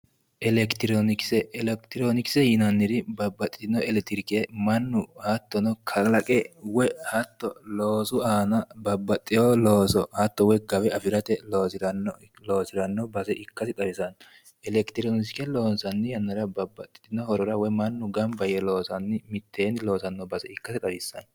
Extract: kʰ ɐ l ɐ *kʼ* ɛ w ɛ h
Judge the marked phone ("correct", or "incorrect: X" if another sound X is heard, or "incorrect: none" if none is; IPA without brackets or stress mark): correct